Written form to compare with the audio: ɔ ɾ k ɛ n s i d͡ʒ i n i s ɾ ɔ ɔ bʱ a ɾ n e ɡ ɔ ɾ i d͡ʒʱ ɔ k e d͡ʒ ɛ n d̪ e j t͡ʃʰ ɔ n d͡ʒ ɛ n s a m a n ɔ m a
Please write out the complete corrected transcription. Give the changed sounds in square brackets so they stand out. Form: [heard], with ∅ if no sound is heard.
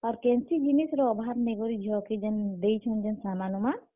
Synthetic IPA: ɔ ɾ k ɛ n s i d͡ʒ i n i s ɾ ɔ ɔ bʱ a ɾ n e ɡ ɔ ɾ i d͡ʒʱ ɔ k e d͡ʒ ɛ n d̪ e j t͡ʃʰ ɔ n d͡ʒ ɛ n s a m a n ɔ m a